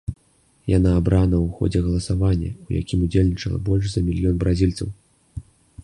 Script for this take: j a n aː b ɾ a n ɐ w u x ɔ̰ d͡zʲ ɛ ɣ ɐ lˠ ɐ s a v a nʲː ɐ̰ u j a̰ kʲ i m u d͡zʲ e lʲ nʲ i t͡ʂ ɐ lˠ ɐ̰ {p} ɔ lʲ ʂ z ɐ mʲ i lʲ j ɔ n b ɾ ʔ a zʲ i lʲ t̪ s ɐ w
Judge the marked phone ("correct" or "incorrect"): incorrect